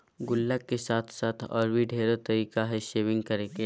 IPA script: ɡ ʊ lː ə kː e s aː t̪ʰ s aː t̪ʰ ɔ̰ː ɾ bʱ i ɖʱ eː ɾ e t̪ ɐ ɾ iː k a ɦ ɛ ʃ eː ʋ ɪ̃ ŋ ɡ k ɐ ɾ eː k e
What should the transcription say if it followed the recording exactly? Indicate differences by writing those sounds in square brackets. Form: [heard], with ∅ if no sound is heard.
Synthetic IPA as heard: ɡ ʊ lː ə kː e s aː t̪ʰ s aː t̪ʰ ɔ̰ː ɾ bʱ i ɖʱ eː ɾ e t̪ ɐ ɾ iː k a ɦ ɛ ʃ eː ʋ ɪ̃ ŋ ɡ k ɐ ɾ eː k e